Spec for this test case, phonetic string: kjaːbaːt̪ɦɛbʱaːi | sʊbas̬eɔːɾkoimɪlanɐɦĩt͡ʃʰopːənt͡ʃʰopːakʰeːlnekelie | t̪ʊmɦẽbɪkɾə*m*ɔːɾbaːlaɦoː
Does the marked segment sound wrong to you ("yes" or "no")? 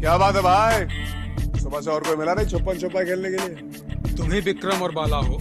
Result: no